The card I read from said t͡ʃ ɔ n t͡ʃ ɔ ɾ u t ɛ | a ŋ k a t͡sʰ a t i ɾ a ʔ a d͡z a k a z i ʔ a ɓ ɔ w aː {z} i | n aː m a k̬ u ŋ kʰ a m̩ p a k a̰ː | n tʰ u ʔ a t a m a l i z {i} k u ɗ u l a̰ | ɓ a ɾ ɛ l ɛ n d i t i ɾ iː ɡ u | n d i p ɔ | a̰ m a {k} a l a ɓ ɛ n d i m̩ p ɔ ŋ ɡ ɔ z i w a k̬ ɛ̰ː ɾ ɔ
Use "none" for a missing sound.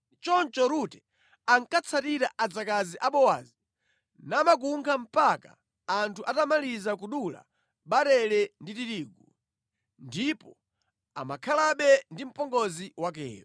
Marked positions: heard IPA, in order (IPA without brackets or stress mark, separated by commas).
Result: z, a, kʰ